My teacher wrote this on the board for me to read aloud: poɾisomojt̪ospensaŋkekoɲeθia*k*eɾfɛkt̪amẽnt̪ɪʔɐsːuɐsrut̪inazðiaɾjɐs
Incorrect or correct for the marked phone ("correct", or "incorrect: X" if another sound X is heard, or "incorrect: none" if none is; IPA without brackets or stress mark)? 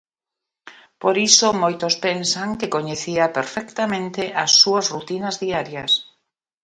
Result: incorrect: p